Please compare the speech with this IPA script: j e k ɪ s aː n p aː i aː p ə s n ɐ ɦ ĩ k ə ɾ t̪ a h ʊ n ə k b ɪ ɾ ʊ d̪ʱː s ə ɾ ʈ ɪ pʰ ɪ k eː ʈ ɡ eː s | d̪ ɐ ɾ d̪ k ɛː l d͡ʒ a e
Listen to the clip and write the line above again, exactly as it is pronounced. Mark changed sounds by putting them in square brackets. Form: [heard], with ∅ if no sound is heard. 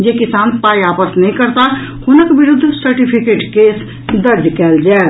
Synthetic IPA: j e k ɪ s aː n p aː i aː p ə s n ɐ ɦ ĩ k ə ɾ t̪ a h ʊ n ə k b ɪ ɾ ʊ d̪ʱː s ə ɾ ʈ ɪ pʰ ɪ k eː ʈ [k] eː s | d̪ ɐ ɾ d̪ k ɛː l d͡ʒ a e